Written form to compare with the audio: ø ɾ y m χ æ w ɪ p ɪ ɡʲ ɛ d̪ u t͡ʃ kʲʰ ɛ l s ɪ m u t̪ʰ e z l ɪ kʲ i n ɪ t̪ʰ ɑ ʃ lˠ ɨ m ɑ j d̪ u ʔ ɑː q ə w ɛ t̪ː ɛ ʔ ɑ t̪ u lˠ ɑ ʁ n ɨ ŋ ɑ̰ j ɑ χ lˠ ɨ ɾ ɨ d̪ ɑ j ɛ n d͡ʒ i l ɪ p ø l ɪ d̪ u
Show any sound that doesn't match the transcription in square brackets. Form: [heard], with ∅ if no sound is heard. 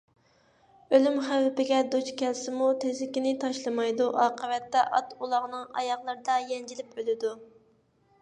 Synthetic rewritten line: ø [l] y m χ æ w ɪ p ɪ ɡʲ ɛ d̪ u t͡ʃ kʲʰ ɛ l s ɪ m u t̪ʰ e z l ɪ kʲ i n ɪ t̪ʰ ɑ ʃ lˠ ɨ m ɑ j d̪ u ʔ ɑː q ə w ɛ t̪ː ɛ ʔ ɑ t̪ u lˠ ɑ ʁ n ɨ ŋ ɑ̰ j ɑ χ lˠ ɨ ɾ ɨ d̪ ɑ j ɛ n d͡ʒ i l ɪ p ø l ɪ d̪ u